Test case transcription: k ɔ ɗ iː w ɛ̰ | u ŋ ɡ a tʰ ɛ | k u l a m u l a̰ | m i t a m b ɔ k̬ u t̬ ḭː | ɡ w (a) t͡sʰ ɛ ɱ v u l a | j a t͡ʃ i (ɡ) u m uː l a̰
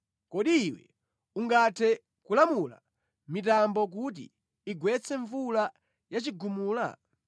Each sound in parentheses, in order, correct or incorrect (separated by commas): incorrect, correct